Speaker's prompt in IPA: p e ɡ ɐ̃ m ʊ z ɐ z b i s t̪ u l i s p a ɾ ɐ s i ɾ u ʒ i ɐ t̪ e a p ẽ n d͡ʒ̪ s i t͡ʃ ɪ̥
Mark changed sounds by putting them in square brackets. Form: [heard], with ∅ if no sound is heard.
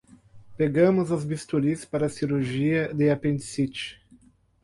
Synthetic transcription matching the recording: p e ɡ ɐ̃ m ʊ z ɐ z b i s t̪ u l i s p a ɾ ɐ s i ɾ u ʒ i ɐ [d̪] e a p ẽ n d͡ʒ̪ s i t͡ʃ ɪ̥